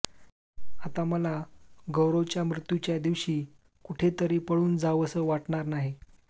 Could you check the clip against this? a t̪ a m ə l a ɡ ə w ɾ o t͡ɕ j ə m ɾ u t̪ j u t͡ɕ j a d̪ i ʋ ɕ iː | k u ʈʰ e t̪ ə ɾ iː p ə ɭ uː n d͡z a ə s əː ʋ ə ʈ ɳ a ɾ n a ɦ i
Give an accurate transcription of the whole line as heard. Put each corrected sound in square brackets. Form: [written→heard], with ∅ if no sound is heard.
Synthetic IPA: a t̪ a m ə l a ɡ ə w ɾ o t͡ɕ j [ə→a] m ɾ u t̪ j u t͡ɕ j a d̪ i ʋ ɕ iː | k u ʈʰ e t̪ ə ɾ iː p ə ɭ uː n d͡z a ə s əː ʋ [ə→a] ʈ ɳ a ɾ n a ɦ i